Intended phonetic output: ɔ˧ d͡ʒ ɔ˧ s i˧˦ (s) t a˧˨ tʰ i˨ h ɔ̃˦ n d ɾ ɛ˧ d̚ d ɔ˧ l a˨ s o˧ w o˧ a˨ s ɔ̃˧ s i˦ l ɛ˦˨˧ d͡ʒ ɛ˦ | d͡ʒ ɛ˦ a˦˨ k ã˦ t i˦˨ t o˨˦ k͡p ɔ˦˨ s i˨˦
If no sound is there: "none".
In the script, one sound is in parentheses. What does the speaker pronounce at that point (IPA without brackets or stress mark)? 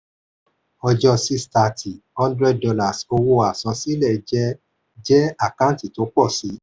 s